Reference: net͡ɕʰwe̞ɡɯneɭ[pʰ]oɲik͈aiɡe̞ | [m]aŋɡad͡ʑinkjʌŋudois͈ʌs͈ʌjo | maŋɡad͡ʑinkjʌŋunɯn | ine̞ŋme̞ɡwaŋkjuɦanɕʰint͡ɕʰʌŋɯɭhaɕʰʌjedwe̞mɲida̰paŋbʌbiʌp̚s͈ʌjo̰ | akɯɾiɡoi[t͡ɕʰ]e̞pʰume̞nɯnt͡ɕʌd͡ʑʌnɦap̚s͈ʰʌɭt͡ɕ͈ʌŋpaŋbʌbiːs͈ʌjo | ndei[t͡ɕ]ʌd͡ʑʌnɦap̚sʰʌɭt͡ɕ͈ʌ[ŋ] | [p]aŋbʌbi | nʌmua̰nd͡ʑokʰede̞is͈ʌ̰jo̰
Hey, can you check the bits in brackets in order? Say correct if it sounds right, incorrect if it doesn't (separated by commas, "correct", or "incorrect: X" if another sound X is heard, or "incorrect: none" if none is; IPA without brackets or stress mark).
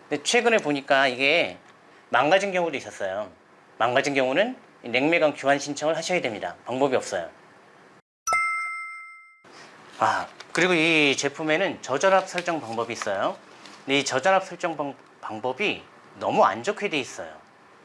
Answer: incorrect: p, correct, incorrect: t͡ɕ, correct, correct, correct